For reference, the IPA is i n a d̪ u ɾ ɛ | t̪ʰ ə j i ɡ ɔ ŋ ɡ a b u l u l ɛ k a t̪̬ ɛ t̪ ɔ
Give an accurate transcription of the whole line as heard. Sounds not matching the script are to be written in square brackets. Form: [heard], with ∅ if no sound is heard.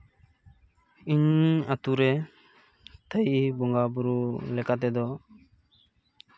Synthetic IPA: i [ɲ] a [t̪] u ɾ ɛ | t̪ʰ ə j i [b] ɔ ŋ ɡ a b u [ɾ] u l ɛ k a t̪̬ ɛ [d̪] ɔ